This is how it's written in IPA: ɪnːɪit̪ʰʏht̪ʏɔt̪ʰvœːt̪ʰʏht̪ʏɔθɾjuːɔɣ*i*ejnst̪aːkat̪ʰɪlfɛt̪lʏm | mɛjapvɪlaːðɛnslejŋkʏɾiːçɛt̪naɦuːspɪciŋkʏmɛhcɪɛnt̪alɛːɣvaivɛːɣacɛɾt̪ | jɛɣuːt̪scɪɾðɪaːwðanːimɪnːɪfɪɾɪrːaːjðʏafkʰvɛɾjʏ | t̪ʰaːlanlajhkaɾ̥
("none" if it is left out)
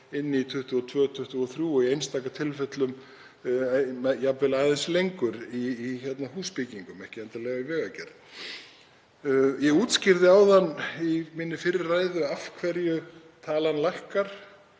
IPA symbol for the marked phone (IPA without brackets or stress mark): i